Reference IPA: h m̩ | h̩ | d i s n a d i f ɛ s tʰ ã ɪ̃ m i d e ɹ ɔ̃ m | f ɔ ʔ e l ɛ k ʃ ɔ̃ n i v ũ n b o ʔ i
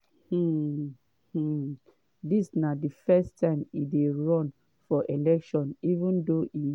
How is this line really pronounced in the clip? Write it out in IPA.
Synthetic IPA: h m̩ | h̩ | d i s n a d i f ɛ s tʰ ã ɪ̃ m i d e ɹ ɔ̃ n | f ɔ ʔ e l ɛ k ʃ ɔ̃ n i v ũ n d o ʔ i

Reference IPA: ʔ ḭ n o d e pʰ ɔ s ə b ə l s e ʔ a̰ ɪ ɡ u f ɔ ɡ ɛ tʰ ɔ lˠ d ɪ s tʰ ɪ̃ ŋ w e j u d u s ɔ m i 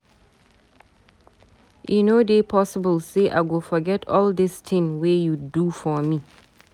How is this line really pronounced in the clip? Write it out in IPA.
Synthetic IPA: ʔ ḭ n o d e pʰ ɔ s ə b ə l s e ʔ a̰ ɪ ɡ o f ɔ ɡ ɛ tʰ ɔ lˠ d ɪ s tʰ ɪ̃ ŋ w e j u d u f ɔ m i

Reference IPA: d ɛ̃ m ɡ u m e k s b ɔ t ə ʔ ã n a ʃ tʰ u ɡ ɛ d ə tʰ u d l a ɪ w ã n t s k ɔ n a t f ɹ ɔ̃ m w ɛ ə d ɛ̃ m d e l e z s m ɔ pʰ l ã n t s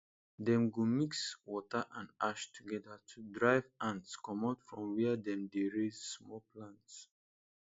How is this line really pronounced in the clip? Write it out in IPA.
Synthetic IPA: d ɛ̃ m ɡ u m i k s w ɔ t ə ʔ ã n a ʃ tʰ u ɡ ɛ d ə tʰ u d ɹ a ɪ v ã n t s k ɔ m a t f ɹ ɔ̃ m w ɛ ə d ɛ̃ m d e ɹ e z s m ɔ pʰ l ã n t s

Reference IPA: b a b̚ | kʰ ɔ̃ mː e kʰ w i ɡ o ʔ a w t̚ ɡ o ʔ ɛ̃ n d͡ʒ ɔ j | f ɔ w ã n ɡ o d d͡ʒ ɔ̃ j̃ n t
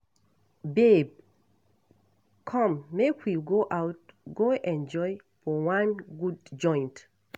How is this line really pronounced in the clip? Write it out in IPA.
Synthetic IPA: b e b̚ | kʰ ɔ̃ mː e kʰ w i ɡ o ʔ a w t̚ ɡ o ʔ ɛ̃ n d͡ʒ ɔ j | f ɔ w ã n ɡ u d d͡ʒ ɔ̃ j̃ n t

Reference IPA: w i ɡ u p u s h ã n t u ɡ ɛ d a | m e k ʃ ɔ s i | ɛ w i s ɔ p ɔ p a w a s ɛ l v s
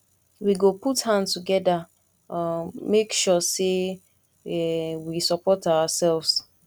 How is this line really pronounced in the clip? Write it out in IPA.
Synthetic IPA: w i ɡ o p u t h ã n t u ɡ ɛ d a | m e k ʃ ɔ s e | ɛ w i s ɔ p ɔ t a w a s ɛ l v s

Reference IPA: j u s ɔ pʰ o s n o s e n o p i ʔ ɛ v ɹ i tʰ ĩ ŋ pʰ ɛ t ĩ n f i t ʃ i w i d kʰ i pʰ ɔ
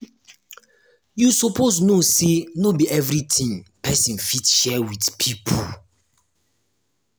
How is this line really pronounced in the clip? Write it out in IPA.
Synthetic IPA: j u s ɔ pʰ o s n o s e n o b i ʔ ɛ v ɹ i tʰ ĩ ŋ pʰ ɛ s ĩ n f i t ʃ ɛ w i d pʰ i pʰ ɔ

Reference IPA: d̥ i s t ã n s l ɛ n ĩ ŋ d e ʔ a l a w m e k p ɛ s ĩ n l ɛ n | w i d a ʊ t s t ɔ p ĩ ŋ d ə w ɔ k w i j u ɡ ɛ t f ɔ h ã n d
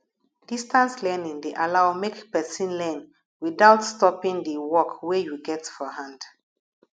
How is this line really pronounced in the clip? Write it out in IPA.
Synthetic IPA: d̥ i s t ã n s l ɛ n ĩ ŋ d e ʔ a l a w m e k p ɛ s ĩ n l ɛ n | w i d a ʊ t s t ɔ p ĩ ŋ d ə w ɔ k w e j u ɡ ɛ t f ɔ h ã n d

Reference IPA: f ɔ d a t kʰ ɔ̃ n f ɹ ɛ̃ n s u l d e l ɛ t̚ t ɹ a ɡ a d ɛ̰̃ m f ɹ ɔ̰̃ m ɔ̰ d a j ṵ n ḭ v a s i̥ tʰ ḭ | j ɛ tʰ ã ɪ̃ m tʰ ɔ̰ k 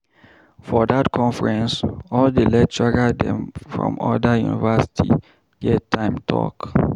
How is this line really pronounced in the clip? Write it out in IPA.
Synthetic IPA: f ɔ d a t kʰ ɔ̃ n f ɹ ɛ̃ n s ɔ l d e l ɛ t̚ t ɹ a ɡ a d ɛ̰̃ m f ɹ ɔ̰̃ m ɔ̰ d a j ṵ n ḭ v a s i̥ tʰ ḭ | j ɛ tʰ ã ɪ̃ m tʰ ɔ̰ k

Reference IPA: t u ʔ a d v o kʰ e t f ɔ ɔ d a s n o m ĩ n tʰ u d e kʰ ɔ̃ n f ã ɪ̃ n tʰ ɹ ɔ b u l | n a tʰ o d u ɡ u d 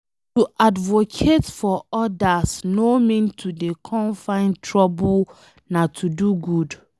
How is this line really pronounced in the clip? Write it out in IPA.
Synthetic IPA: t u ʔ a d v o kʰ e t f ɔ ɔ d a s n o m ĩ n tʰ u d e kʰ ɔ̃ n f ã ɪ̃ n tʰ ɹ ɔ b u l | n a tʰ u d u ɡ u d

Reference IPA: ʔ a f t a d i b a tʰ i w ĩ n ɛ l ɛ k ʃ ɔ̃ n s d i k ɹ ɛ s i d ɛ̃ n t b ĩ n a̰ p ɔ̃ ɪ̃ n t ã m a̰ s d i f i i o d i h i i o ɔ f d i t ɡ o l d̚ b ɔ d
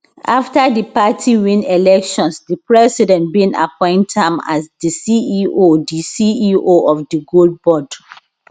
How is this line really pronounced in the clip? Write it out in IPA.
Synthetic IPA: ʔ a f t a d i p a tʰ i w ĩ n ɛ l ɛ k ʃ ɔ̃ n s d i p ɹ ɛ s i d ɛ̃ n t b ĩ n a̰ p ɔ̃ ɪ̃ n t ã m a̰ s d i s i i o d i s i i o ɔ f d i ɡ o l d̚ b ɔ d

